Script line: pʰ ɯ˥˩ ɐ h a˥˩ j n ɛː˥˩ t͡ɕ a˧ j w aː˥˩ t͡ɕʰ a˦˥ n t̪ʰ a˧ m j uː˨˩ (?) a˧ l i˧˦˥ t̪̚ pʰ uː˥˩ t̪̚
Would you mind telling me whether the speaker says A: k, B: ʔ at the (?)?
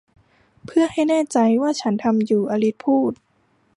B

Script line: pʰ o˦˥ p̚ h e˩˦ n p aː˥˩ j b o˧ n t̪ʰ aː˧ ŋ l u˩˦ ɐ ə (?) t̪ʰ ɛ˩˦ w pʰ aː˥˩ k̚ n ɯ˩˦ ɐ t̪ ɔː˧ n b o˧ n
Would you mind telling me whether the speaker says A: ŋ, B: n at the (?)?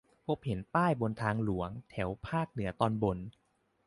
A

